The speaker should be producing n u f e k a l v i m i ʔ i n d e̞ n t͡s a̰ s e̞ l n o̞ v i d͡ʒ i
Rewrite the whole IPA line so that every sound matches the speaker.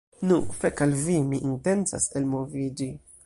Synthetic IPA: n u f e k a l v i m i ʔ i n t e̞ n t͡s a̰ s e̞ l m o̞ v i d͡ʒ i